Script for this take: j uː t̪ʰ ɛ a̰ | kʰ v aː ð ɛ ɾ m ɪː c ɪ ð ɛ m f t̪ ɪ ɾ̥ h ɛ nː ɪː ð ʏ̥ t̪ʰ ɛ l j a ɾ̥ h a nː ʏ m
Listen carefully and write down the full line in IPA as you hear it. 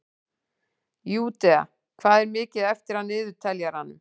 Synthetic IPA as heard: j uː t̪ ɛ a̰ | kʰ v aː ð ɛ ɾ m ɪː c ɪ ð ɛ f t̪ ɪ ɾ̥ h a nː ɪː ð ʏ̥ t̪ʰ ɛ l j a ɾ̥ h a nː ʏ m